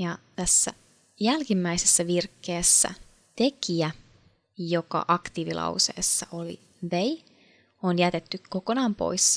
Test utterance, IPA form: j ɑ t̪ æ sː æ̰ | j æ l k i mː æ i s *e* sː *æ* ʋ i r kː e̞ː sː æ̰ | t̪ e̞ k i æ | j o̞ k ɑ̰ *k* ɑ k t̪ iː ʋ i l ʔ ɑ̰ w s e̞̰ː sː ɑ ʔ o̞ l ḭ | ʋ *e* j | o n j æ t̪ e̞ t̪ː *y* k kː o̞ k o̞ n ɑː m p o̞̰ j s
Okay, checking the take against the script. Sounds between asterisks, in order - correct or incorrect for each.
correct, correct, incorrect, correct, correct

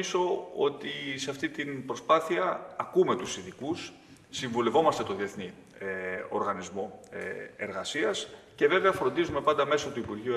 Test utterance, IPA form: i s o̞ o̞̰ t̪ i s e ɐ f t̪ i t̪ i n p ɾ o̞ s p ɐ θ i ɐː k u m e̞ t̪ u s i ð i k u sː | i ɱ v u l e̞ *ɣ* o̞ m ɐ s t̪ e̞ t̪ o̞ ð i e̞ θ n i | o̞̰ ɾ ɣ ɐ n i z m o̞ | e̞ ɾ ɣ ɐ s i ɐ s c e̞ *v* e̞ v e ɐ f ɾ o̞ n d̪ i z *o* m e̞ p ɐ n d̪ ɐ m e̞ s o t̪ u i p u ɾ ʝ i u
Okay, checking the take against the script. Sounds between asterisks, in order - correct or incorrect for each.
incorrect, correct, incorrect

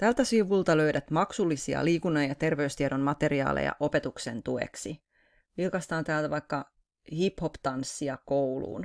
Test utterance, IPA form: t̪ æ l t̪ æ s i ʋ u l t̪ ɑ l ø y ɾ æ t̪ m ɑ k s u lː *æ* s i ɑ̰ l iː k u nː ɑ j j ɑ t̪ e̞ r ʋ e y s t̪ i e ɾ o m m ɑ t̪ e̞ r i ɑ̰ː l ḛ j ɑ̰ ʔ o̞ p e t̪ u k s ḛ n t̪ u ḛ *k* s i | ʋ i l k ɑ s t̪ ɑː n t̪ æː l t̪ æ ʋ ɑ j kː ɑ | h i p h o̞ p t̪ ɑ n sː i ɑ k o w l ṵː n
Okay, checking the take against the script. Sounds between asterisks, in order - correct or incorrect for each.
incorrect, correct

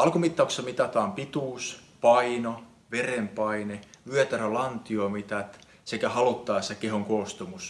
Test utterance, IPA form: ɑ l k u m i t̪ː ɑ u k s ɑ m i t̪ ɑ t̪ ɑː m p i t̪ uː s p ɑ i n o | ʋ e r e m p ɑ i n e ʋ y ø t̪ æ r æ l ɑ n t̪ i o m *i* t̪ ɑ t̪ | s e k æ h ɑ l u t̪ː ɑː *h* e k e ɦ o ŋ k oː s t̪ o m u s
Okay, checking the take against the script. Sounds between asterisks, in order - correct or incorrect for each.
correct, incorrect

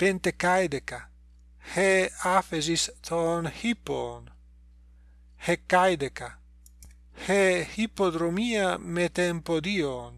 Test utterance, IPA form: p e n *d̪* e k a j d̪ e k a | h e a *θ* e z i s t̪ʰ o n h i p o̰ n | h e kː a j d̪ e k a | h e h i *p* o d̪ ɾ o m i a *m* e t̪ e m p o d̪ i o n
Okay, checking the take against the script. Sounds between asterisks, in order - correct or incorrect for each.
incorrect, incorrect, correct, correct

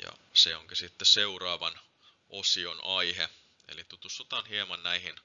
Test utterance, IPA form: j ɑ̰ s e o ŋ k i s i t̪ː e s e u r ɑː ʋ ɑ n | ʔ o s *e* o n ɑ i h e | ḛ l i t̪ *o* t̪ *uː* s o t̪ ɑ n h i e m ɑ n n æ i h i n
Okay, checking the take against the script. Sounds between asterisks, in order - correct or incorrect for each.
incorrect, incorrect, incorrect

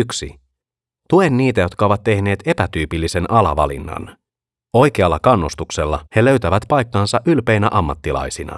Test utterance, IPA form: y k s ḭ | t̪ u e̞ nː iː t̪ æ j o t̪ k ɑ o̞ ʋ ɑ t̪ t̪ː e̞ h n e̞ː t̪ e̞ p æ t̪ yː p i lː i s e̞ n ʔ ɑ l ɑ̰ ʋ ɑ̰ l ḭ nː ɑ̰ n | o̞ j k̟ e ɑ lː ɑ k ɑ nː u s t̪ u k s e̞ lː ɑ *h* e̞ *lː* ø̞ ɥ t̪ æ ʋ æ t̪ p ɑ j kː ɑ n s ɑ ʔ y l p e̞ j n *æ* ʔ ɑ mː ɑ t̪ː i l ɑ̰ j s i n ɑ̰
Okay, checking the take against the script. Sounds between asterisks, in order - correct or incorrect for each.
correct, incorrect, correct

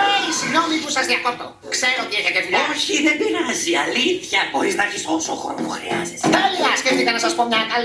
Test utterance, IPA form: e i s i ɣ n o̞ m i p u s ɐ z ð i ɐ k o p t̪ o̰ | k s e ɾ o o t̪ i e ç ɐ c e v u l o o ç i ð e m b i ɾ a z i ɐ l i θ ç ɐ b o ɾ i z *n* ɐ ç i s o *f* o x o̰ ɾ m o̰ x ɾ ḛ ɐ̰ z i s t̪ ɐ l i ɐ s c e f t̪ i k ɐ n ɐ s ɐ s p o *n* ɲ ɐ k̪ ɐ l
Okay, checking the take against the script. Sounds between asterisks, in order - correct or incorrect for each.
correct, incorrect, incorrect

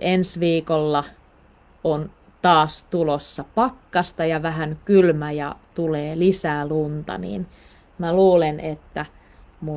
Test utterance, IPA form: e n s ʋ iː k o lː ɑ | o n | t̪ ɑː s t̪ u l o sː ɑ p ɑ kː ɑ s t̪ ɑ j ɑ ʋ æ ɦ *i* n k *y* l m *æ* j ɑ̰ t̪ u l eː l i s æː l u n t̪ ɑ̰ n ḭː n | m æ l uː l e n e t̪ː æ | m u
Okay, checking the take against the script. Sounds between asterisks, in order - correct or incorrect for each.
incorrect, correct, correct

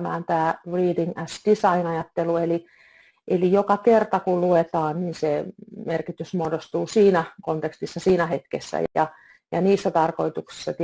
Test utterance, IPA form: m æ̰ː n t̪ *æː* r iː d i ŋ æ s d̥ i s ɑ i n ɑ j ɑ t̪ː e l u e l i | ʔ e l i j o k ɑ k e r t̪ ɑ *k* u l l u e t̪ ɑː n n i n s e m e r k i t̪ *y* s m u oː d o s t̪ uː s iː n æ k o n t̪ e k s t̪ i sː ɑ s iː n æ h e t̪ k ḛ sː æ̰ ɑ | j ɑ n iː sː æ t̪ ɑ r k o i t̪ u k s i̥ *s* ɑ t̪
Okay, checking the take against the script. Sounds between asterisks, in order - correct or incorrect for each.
correct, correct, correct, incorrect

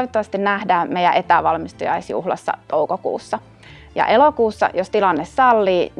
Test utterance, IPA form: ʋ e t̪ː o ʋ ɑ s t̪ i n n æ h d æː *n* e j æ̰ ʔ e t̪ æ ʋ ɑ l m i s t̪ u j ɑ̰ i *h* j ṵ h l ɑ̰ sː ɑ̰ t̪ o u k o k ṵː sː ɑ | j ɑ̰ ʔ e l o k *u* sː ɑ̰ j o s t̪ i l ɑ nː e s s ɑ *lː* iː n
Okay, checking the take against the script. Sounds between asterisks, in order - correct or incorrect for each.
incorrect, incorrect, incorrect, correct

